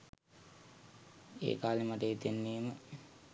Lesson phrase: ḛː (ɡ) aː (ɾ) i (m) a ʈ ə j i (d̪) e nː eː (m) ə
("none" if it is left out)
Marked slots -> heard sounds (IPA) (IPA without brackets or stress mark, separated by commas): k, l, m, t̪, m